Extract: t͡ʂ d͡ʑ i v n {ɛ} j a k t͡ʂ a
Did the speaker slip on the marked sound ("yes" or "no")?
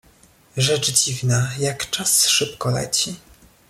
yes